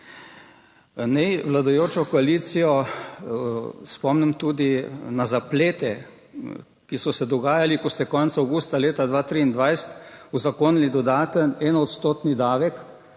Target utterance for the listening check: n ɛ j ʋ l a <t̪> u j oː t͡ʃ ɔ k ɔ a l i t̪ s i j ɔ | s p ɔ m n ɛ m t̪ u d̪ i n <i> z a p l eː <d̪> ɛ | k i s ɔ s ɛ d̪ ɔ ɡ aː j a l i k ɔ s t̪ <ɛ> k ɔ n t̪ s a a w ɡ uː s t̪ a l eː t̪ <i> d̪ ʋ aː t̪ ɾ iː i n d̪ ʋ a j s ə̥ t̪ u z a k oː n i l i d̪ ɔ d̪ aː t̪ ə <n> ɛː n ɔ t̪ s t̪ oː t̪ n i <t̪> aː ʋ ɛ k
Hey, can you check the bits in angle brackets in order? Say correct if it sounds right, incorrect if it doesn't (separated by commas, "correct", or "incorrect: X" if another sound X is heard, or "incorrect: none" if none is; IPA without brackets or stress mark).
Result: incorrect: d̪, incorrect: a, incorrect: t̪, correct, incorrect: a, correct, incorrect: d̪